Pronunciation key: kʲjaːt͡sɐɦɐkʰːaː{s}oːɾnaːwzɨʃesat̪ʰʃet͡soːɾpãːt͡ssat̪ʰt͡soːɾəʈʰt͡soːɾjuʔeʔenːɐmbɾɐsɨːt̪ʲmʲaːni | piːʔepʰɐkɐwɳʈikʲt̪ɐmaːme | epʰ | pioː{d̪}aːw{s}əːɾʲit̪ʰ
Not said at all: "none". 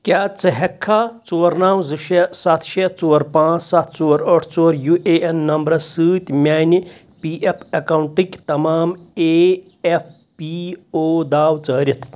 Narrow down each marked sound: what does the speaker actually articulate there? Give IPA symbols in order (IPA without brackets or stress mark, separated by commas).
t͡s, d̪, t͡s